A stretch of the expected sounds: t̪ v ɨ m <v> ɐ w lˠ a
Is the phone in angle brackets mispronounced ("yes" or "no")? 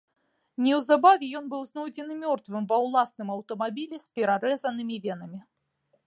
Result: no